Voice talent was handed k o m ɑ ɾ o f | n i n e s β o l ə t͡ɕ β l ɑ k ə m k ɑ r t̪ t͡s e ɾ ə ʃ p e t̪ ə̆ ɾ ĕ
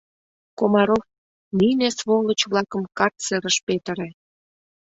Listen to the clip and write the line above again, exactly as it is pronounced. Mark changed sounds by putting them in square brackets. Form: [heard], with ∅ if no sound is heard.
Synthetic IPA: k o m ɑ ɾ o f | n i n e s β o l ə t͡ɕ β l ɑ k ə m k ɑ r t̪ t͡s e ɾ ə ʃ p e t̪ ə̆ ɾ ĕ